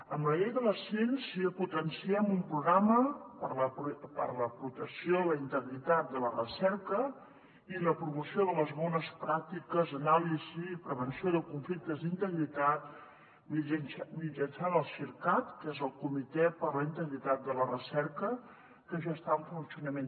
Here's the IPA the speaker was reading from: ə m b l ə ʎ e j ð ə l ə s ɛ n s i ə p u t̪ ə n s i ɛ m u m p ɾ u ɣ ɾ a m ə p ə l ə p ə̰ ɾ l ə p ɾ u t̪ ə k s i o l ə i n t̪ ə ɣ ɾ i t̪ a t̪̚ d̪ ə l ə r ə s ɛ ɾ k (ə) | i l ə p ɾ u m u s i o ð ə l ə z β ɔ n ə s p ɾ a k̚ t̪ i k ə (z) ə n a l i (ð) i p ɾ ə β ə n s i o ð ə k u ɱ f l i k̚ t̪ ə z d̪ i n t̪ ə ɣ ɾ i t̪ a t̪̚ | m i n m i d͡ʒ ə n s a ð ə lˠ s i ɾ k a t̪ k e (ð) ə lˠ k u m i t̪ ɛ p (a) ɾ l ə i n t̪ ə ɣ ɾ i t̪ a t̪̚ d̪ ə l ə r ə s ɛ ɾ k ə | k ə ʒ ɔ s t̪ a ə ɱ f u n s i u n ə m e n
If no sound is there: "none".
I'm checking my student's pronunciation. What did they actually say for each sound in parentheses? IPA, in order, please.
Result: ə, z, z, z, ə

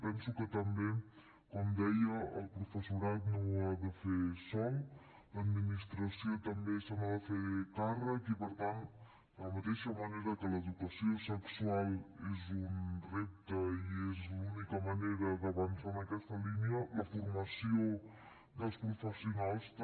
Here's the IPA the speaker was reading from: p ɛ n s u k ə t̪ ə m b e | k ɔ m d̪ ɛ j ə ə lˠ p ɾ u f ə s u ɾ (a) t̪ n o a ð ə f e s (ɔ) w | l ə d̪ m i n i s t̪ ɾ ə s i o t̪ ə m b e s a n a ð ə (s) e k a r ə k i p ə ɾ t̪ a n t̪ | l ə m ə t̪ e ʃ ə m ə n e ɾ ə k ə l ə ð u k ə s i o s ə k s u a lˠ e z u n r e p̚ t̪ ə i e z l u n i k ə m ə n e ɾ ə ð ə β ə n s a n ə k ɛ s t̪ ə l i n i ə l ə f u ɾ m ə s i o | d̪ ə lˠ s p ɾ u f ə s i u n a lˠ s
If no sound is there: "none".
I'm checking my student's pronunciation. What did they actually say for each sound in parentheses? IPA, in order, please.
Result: a, ɔ, f

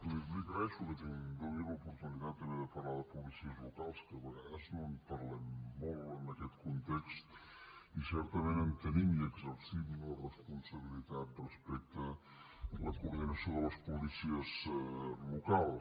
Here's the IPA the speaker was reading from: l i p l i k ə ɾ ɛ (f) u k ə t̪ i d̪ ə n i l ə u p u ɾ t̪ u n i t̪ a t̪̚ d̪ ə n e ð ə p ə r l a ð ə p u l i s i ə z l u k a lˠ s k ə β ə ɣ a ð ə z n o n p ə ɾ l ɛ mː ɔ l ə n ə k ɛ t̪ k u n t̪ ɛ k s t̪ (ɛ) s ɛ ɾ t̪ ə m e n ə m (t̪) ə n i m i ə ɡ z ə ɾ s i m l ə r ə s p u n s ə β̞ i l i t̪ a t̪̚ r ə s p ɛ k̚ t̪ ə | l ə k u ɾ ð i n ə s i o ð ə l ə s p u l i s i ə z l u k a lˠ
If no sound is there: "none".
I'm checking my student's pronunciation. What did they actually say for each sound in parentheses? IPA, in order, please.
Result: ʃ, i, t̪

